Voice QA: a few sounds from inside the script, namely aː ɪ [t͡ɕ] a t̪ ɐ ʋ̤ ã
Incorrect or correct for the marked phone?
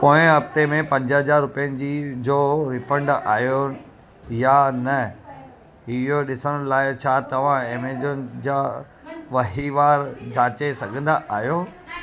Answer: incorrect: t͡ɕʰ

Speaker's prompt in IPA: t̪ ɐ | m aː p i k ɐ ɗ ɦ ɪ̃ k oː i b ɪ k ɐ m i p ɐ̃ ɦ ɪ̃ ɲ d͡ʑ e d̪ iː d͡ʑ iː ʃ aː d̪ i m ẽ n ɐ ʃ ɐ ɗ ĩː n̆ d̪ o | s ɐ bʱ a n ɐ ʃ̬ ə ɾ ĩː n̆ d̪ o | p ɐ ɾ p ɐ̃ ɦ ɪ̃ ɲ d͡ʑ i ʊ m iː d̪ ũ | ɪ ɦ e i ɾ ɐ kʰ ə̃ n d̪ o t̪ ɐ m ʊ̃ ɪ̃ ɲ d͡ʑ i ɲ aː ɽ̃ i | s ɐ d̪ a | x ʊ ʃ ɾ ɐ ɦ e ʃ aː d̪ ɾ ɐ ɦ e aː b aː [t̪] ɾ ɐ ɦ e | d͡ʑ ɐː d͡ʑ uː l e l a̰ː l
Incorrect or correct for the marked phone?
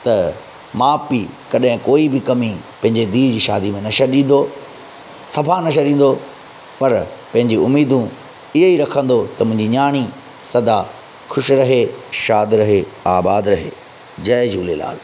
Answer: incorrect: d̪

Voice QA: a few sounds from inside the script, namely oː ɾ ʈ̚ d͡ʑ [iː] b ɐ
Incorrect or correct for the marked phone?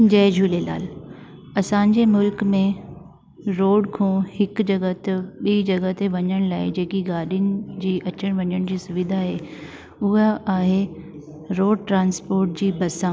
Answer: correct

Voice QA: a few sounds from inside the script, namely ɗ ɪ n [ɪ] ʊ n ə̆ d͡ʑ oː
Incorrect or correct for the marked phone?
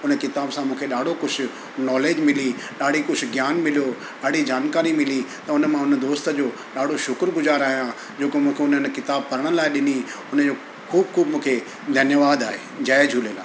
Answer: incorrect: i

